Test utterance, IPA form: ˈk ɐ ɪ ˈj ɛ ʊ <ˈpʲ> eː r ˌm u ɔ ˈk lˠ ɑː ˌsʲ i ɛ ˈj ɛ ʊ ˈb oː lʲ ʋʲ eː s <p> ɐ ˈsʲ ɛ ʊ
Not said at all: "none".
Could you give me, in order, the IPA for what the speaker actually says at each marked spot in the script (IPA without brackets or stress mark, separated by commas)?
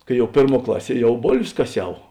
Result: pʲ, k